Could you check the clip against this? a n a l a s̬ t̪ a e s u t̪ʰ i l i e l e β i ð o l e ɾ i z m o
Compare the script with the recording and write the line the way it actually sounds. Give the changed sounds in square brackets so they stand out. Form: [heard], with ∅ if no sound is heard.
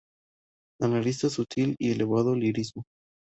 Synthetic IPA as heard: a n a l [i] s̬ t̪ a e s u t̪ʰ i l i e l e β [a] ð o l [i] ɾ i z m o

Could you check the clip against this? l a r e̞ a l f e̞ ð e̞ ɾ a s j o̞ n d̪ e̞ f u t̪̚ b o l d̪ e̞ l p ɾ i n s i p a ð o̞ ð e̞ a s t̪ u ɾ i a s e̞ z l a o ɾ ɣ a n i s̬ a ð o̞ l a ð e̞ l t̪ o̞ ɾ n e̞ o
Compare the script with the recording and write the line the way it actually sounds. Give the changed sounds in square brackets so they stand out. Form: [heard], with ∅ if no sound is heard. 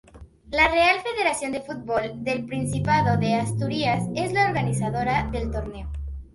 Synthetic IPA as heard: l a r e̞ a l f e̞ ð e̞ ɾ a s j o̞ n d̪ e̞ f u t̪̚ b o l d̪ e̞ l p ɾ i n s i p a ð o̞ ð e̞ a s t̪ u ɾ i a s e̞ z l a o ɾ ɣ a n i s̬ a ð o̞ [ɾ] a ð e̞ l t̪ o̞ ɾ n e̞ o

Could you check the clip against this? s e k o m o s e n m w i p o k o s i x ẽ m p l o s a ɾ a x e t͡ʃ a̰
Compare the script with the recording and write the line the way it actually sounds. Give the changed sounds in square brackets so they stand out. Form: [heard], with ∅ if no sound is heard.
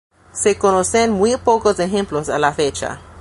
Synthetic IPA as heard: s e k o [n] o s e n m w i p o k o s [e] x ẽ m p l o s a [l] a [f] e t͡ʃ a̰

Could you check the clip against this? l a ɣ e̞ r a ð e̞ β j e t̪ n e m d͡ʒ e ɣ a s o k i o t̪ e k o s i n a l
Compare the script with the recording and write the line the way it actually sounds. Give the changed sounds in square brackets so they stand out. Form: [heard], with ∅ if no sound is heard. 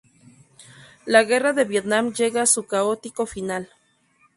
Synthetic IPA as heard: l a ɣ e̞ r a ð e̞ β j e t̪ n [a] m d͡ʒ e ɣ a s [u] k [a] o t̪ [i] k o [f] i n a l

